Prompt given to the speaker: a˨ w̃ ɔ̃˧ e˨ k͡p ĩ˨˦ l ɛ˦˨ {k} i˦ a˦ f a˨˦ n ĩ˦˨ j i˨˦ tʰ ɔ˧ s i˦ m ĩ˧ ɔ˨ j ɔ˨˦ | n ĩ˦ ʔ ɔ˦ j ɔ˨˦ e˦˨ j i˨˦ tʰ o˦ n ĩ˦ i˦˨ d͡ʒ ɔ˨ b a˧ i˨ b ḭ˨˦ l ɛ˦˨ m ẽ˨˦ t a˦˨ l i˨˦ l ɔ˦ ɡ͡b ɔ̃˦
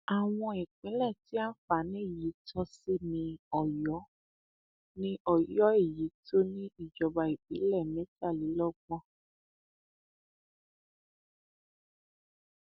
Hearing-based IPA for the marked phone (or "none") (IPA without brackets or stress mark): t